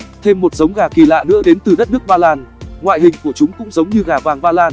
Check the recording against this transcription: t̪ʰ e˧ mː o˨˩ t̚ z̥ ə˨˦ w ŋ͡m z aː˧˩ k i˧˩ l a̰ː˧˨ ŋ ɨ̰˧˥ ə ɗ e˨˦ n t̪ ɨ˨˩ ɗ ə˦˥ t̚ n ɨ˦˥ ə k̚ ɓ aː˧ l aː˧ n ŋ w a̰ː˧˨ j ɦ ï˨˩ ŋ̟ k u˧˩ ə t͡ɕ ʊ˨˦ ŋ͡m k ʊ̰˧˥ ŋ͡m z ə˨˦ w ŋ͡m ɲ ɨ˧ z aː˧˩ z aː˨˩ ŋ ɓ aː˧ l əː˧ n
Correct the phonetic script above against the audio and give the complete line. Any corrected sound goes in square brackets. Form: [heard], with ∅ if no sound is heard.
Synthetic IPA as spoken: t̪ʰ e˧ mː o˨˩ t̚ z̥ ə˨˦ w ŋ͡m [ɣ] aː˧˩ k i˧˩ l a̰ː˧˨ [n] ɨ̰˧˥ ə ɗ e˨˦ n t̪ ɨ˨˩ ɗ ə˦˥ t̚ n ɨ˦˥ ə k̚ ɓ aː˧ l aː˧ n ŋ w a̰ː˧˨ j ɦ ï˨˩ ŋ̟ k u˧˩ ə t͡ɕ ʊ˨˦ ŋ͡m k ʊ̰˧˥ ŋ͡m z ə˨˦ w ŋ͡m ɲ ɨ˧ [ɣ] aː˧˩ [v] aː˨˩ ŋ ɓ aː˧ l [aː˧] n